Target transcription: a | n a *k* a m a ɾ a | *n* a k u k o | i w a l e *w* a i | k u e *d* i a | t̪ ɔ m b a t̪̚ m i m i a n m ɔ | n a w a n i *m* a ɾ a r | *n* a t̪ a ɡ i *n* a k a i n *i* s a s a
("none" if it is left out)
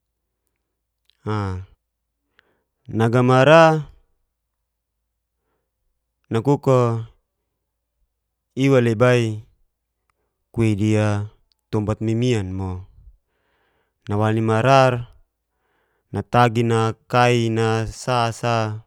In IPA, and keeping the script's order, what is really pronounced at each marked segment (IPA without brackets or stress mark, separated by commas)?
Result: ɡ, n, b, d, m, n, n, a